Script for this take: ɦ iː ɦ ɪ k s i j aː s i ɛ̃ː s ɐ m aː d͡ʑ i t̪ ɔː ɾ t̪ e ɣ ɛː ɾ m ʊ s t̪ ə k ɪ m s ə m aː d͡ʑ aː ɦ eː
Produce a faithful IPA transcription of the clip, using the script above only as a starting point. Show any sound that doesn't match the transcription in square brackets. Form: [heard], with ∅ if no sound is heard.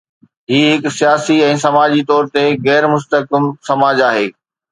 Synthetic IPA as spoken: ɦ iː ɦ ɪ k s i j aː s i ɛ̃ː s ɐ m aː d͡ʑ i t̪ ɔː ɾ t̪ e ɣ ɛː ɾ m ʊ s t̪ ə k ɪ m s [ɐ] m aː d͡ʑ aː ɦ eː